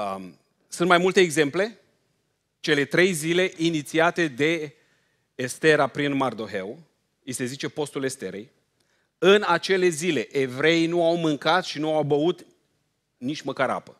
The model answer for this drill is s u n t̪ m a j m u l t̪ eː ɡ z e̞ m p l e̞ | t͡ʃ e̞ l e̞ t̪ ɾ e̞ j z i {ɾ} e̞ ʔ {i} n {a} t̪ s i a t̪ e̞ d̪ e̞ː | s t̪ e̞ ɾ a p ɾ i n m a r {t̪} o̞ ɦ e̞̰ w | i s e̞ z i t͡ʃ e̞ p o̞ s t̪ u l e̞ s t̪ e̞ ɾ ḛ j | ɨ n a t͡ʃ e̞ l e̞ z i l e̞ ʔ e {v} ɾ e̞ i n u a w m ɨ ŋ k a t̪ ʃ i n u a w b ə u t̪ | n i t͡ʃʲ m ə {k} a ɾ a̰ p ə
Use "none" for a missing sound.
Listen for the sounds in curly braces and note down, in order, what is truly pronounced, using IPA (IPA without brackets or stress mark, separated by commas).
l, i, i, d̪, v, k